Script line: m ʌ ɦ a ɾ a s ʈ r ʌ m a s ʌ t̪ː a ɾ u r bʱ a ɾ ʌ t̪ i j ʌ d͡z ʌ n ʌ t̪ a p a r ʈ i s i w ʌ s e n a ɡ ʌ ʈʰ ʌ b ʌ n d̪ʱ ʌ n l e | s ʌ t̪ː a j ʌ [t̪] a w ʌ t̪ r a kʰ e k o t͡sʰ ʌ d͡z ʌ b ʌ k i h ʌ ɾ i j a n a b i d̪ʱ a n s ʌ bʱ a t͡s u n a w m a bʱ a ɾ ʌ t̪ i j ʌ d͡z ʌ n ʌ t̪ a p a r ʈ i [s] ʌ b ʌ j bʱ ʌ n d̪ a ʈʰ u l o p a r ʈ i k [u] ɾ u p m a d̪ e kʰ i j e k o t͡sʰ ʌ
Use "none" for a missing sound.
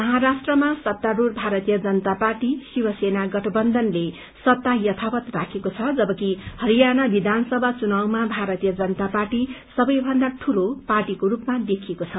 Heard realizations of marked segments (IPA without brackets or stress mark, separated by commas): t̪ʰ, s, o